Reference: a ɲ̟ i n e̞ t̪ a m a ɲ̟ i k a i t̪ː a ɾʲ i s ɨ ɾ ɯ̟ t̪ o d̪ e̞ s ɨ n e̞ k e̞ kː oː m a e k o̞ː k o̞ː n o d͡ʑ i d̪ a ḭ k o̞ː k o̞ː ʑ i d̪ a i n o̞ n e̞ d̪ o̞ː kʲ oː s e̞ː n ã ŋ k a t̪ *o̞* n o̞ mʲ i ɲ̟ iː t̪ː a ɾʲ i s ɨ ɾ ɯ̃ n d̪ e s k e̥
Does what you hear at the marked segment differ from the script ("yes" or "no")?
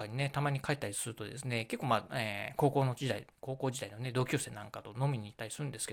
no